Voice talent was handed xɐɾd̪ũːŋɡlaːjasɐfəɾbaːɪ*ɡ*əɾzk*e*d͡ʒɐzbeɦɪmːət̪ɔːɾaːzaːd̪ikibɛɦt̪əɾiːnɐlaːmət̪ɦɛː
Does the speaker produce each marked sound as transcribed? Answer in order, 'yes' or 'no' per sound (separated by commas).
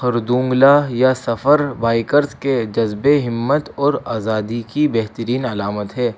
no, yes